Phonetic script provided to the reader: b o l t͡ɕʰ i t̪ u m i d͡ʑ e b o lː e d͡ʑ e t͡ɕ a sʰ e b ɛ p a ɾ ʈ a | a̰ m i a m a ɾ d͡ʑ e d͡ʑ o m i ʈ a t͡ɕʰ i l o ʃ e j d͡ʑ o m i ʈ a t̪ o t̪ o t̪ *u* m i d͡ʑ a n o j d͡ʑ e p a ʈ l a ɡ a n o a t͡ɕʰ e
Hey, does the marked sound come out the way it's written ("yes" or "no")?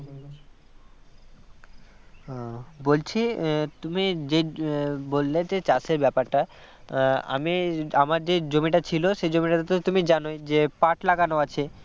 yes